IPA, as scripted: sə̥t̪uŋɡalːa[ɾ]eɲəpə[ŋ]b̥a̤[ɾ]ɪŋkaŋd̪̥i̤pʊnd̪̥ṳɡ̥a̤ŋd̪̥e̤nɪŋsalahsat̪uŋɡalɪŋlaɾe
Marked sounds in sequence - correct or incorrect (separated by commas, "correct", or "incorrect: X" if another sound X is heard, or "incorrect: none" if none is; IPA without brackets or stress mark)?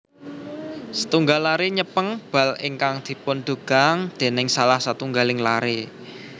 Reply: correct, correct, incorrect: l